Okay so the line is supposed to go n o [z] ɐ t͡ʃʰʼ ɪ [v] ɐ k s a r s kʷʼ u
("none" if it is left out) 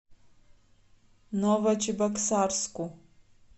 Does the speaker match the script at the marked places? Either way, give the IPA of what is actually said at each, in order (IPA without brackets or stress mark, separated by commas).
v, b